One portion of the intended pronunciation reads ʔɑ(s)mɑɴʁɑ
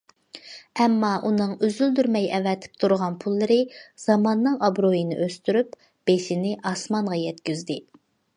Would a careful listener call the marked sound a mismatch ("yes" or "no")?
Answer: no